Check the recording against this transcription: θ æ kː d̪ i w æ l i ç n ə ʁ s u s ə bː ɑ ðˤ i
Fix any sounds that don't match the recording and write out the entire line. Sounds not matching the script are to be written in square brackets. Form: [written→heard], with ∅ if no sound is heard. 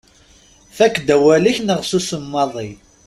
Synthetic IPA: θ æ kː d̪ [i→æ] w æ l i ç n ə ʁ s u s ə [bː→mː] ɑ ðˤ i